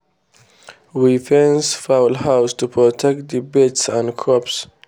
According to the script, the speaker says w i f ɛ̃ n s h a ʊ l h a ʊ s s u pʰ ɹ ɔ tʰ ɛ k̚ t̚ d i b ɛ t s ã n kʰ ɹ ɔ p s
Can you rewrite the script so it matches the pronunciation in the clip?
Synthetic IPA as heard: w i f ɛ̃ n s f a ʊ l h a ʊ s t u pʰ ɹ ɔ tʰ ɛ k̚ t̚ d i b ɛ t s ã n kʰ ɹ ɔ p s